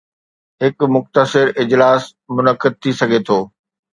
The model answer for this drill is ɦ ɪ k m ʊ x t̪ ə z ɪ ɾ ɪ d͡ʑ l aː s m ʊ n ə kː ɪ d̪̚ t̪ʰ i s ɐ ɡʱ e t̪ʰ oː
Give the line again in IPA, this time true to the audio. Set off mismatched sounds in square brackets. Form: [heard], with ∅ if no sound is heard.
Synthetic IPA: ɦ ɪ k m ʊ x t̪ ə [s] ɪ ɾ ɪ d͡ʑ l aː s m ʊ n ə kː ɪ d̪̚ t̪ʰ i s ɐ ɡʱ e t̪ʰ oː